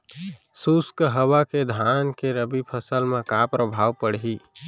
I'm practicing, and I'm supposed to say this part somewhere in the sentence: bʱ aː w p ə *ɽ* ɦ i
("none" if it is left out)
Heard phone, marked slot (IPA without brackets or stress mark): ɽ